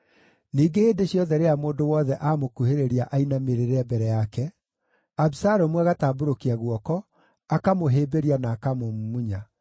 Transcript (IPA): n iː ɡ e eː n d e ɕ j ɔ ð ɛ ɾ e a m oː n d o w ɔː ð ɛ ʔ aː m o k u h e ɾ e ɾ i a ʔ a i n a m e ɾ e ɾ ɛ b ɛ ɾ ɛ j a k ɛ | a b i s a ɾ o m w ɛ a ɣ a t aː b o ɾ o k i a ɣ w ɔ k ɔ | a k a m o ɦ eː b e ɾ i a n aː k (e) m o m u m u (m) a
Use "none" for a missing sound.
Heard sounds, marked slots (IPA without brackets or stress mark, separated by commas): a, ɲ